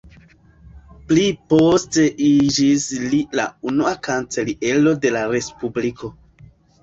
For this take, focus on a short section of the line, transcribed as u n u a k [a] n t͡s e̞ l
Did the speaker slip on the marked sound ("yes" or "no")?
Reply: no